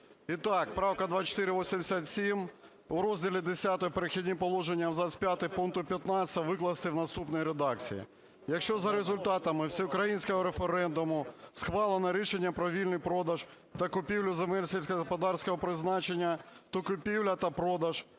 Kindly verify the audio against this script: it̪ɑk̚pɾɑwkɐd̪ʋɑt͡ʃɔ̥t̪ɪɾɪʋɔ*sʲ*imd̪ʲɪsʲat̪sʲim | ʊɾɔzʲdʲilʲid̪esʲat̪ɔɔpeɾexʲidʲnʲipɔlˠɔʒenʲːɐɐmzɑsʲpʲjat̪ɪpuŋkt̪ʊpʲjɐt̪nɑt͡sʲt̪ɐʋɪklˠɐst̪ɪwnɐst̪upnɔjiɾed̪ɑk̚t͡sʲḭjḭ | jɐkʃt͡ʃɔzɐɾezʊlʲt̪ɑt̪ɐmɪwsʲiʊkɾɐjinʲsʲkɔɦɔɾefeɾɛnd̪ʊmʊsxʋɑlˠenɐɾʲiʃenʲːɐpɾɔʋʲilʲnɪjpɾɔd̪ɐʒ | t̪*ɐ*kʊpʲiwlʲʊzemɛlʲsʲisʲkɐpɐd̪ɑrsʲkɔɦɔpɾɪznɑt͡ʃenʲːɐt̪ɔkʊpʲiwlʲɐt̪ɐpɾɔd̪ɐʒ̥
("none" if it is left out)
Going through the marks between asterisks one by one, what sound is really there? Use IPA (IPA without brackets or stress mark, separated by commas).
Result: sʲ, ɐ